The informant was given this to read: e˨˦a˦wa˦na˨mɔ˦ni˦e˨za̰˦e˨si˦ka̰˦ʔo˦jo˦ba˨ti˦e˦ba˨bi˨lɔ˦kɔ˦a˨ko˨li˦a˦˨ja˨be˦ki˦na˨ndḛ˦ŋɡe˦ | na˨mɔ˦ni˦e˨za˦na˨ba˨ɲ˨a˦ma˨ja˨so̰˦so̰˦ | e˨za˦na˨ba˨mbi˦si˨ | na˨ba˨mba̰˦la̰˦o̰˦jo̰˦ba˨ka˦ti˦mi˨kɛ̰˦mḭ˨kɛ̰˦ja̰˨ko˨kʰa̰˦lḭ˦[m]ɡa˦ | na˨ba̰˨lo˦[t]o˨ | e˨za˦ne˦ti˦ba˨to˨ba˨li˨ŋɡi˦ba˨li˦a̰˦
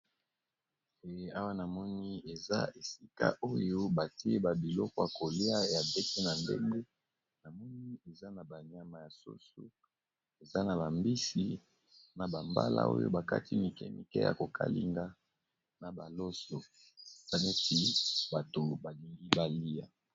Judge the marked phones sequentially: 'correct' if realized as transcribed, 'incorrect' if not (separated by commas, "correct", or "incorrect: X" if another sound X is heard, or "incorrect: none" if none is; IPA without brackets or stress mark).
incorrect: ŋ, incorrect: s